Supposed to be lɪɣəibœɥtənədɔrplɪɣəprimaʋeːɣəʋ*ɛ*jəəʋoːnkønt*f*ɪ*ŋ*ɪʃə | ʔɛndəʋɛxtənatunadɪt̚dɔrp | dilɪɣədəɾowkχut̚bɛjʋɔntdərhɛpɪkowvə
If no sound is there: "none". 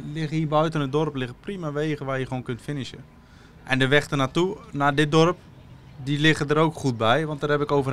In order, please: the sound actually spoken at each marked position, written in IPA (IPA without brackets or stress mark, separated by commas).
a, f, n